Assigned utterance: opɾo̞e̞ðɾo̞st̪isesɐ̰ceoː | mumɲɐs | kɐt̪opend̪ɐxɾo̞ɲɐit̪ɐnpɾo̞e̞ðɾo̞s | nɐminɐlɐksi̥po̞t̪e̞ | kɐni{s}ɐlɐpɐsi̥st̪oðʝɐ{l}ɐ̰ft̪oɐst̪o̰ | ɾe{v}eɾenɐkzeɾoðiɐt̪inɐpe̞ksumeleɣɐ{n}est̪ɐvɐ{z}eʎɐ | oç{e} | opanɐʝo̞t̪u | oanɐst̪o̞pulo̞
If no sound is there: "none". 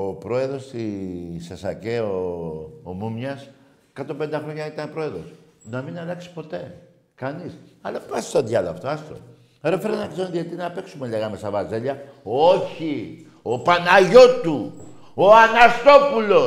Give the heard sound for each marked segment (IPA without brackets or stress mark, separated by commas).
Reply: s, l, f, m, z, i